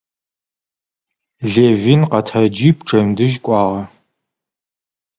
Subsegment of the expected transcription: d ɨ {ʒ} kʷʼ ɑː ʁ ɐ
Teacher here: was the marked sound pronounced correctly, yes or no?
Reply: yes